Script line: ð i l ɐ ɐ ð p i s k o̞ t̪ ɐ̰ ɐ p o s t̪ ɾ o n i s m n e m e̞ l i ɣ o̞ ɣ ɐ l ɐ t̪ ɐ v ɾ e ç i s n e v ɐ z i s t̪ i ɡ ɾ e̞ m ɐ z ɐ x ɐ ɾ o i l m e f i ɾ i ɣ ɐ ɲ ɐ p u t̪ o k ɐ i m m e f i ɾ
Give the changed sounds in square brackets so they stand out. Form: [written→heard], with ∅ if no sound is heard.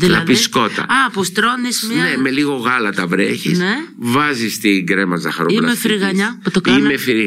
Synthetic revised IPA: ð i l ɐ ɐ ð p i s k o̞ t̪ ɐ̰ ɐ p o s t̪ ɾ o n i s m n e m e̞ l i ɣ o̞ ɣ ɐ l ɐ t̪ ɐ v ɾ e ç i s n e v ɐ z i s t̪ i ɡ ɾ e̞ m ɐ z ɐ x ɐ ɾ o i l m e f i ɾ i ɣ ɐ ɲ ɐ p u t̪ o k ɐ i m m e f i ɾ